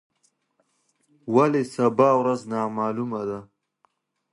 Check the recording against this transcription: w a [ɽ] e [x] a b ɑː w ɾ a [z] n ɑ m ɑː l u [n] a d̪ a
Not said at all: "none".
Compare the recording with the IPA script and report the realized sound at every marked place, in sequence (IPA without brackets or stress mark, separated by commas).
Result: l, s, z, m